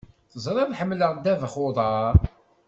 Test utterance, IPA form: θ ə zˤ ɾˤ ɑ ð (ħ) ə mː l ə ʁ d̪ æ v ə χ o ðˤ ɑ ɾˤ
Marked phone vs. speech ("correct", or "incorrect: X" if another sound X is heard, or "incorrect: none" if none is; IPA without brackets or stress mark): correct